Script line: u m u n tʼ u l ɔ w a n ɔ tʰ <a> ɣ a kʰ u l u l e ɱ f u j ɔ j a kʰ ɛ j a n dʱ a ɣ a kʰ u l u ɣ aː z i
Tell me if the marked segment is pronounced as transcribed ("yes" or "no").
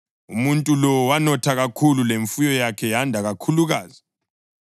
yes